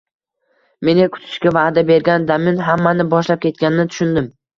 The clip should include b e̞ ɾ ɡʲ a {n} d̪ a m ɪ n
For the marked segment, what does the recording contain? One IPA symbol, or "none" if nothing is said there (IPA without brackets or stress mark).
n